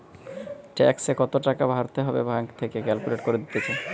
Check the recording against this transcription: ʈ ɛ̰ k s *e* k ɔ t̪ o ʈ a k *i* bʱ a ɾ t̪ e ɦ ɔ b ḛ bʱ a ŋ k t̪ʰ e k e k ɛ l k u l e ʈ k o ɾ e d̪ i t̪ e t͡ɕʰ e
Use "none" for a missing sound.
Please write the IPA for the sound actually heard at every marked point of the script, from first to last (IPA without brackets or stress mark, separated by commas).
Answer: e, a